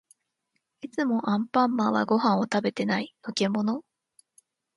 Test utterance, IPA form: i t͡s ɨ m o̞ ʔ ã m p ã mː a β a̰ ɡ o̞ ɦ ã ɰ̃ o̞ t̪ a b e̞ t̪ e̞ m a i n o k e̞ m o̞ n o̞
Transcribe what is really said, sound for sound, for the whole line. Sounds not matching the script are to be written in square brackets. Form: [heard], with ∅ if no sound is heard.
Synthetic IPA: i t͡s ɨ m o̞ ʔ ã m p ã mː a β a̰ ɡ o̞ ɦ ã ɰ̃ o̞ t̪ a b e̞ t̪ e̞ [n] a i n o k e̞ m o̞ n o̞

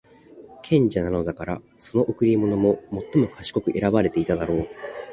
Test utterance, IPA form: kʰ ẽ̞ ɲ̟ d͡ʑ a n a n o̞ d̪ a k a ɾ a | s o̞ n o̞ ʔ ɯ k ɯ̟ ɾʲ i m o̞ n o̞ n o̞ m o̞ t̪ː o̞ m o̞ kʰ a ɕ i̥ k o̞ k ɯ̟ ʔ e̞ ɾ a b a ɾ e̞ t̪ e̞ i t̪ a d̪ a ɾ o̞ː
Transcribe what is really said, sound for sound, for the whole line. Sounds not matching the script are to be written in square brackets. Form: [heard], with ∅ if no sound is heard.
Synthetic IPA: kʰ ẽ̞ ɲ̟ d͡ʑ a n a n o̞ d̪ a k a ɾ a | s o̞ n o̞ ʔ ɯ k ɯ̟ ɾʲ i m o̞ n o̞ [m] o̞ m o̞ t̪ː o̞ m o̞ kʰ a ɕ i̥ k o̞ k ɯ̟ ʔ e̞ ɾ a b a ɾ e̞ t̪ e̞ i t̪ a d̪ a ɾ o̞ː

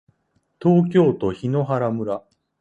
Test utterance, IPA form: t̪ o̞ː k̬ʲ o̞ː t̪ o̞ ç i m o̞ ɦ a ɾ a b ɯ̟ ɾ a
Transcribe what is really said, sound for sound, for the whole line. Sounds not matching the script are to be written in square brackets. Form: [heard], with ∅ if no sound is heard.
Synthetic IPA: t̪ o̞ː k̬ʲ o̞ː t̪ o̞ ç i [n] o̞ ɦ a ɾ a [m] ɯ̟ ɾ a

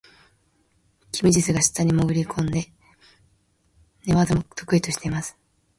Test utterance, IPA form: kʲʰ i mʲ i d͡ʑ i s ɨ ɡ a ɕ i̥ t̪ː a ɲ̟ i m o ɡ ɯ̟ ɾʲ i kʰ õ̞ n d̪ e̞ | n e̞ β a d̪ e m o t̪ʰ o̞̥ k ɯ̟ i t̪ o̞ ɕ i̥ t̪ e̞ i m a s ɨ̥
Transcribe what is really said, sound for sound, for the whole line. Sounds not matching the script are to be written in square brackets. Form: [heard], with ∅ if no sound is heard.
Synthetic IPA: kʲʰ i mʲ i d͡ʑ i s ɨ ɡ a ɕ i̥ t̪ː a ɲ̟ i m o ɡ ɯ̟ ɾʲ i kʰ õ̞ n d̪ e̞ | n e̞ β a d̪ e m o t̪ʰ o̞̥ k ɯ̟ i t̪ o̞ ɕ i̥ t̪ e̞ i m a s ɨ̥

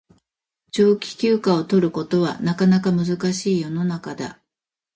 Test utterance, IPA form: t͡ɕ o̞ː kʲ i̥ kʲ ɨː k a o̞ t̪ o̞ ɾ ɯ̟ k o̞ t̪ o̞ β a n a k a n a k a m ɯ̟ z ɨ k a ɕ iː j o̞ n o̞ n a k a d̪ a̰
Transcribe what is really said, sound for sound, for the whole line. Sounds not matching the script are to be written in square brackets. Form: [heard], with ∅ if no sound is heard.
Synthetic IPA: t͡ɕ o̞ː kʲ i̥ kʲ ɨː k a o̞ t̪ o̞ ɾ ɯ̟ k o̞ t̪ o̞ β a n a k a n a k a m ɯ̟ z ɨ k a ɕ iː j o̞ n o̞ n a k a d̪ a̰

